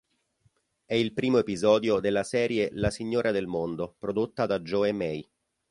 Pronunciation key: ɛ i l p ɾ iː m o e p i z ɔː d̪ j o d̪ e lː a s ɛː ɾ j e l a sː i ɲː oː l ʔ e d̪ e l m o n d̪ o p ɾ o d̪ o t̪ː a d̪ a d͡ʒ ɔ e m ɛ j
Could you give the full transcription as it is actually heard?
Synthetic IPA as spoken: ɛ i l p ɾ iː m o e p i z ɔː d̪ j o d̪ e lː a s ɛː ɾ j e l a s i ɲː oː ɾ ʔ a d̪ e l m o n d̪ o p ɾ o d̪ o t̪ː a d̪ a d͡ʒ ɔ e m ɛ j

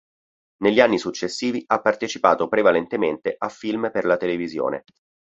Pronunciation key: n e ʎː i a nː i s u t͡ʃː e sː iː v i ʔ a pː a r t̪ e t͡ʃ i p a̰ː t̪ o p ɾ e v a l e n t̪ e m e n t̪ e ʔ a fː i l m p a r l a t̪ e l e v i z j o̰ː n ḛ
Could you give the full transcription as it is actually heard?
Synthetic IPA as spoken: n e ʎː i a nː i s u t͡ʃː e sː iː v i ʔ a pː a r t̪ e t͡ʃ i p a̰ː t̪ o p ɾ e v a l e n t̪ e m e n t̪ e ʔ a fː i l m p e r l a t̪ e l e v i z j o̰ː n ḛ

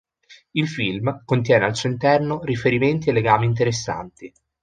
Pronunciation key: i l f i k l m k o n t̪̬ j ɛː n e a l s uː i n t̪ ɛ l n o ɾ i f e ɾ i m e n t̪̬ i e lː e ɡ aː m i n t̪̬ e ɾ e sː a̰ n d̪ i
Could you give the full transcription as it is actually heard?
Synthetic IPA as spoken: i l f i l m k o n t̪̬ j ɛː n e a l s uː i n t̪ ɛ r n o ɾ i f e ɾ i m e n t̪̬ i e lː e ɡ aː m i n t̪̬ e ɾ e sː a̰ n t̪ i

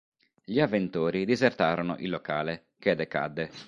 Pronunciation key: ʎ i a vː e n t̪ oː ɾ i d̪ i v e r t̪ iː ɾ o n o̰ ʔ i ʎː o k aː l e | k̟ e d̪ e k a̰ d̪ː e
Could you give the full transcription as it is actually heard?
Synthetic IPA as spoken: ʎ i a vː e n t̪ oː ɾ i d̪ i z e r t̪ aː ɾ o n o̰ ʔ i lː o k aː l e | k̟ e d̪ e k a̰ d̪ː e

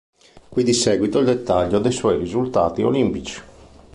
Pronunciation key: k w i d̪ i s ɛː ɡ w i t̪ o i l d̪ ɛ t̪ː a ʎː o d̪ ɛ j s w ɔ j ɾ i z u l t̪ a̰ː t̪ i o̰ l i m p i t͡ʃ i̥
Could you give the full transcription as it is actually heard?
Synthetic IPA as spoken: k w i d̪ i s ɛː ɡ w i t̪ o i l d̪ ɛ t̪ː a ʎː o d̪ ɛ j s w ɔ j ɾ i z u l t̪ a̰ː t̪ i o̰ l i m p i t͡ʃ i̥

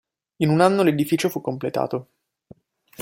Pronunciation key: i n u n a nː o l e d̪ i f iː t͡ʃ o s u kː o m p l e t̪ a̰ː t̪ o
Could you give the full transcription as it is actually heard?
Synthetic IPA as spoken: i n u n a nː o l e d̪ i f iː t͡ʃ o f u kː o m p l e t̪ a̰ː t̪ o

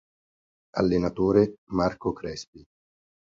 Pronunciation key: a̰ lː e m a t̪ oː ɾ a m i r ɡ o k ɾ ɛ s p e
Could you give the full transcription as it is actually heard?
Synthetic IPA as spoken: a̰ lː e n a t̪ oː ɾ e m a r k o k ɾ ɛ s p i

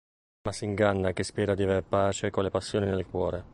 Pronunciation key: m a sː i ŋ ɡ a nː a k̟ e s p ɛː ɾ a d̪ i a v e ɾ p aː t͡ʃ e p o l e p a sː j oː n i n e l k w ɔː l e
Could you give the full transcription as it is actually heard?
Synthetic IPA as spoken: m a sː i ŋ ɡ a nː a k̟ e s p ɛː ɾ a d̪ i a v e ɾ p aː t͡ʃ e k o l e p a sː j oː n i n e l k w ɔː ɾ e

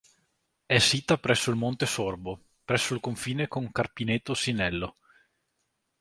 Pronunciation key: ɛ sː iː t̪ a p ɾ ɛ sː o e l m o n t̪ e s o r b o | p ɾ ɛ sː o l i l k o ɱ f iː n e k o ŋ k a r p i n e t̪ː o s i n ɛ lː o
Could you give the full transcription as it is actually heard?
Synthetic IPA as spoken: ɛ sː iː t̪ a p ɾ ɛ sː o i l m o n t̪ e s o r b o | p ɾ ɛ sː o i l k o ɱ f iː n e k o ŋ k a r p i n e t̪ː o s i n ɛ lː o

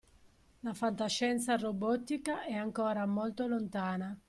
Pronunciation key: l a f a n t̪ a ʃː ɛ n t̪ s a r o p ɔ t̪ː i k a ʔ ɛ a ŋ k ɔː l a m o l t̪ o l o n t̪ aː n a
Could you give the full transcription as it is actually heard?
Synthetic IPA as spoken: l a f a n t̪ a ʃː ɛ n t̪ s a r o b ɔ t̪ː i k a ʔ ɛ a ŋ k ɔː ɾ a m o l t̪ o l o n t̪ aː n a

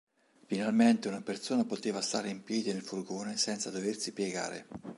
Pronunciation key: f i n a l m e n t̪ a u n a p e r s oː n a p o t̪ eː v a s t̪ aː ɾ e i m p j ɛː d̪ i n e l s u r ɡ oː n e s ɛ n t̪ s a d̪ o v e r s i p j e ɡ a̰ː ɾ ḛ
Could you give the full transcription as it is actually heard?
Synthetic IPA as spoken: f i n a l m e n t̪ e u n a p e r s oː n a p o t̪ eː v a s t̪ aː ɾ e i m p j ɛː d̪ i n e l f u r ɡ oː n e s ɛ n t̪ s a d̪ o v e r s i p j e ɡ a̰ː ɾ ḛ

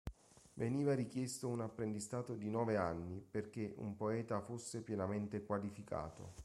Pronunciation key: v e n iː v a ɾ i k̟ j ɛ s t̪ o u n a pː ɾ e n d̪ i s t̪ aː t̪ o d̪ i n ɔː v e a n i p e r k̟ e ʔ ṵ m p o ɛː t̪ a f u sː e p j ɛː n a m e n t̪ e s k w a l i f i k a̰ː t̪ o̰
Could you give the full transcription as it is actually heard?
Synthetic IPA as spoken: v e n iː v a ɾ i k̟ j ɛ s t̪ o u n a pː ɾ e n d̪ i s t̪ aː t̪ o d̪ i n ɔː v e a nː i p e r k̟ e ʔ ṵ m p o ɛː t̪ a f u sː e p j ɛ n a m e n t̪ e k w a l i f i k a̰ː t̪ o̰

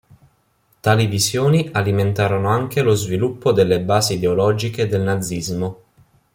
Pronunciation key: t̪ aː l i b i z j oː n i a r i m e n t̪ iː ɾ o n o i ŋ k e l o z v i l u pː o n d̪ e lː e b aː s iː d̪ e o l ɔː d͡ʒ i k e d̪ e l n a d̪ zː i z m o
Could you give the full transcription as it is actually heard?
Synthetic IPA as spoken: t̪ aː l i v i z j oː n i a l i m e n t̪ aː ɾ o n o a ŋ k e l o z v i l u pː o d̪ e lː e b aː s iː d̪ e o l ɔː d͡ʒ i k e d̪ e l n a d̪ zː i z m o

